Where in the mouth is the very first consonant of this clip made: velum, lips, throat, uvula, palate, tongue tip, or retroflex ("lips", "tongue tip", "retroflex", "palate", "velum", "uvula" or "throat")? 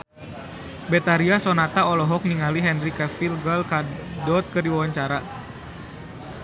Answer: lips